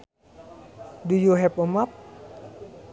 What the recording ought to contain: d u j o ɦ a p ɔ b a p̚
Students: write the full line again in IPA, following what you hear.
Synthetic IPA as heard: d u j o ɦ ɛ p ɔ m a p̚